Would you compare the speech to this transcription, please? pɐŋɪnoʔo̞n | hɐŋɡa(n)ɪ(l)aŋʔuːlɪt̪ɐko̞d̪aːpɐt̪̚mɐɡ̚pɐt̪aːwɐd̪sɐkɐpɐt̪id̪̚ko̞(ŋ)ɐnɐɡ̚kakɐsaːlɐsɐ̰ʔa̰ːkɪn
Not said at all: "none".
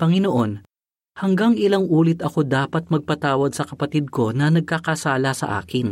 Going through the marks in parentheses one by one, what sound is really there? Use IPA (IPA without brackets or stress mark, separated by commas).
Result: ŋ, l, n